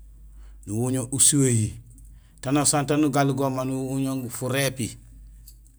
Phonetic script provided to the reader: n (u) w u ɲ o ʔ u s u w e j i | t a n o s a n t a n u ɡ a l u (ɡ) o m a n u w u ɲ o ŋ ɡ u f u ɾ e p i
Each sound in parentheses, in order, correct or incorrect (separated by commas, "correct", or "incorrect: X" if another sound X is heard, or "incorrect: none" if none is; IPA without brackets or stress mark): correct, correct